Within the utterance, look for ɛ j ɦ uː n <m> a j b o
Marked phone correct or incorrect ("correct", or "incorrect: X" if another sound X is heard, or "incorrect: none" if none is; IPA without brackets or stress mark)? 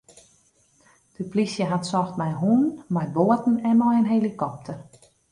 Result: correct